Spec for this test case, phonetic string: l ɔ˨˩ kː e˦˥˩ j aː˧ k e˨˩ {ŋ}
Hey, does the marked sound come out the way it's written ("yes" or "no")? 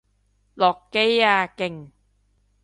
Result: yes